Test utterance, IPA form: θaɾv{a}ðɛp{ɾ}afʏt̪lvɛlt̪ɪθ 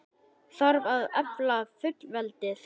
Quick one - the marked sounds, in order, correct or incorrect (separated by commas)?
correct, incorrect